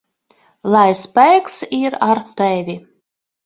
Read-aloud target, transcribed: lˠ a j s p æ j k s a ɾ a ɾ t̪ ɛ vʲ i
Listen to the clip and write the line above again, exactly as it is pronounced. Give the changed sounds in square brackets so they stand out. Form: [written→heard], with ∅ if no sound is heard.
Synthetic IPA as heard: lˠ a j s p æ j k s [a→i] ɾ a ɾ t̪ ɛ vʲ i